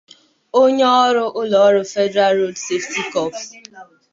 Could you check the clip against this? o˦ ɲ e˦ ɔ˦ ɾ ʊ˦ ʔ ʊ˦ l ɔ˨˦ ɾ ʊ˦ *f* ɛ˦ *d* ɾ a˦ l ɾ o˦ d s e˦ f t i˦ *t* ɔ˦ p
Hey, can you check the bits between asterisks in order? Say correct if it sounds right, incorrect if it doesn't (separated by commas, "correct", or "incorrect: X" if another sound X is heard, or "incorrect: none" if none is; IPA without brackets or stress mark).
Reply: correct, correct, incorrect: k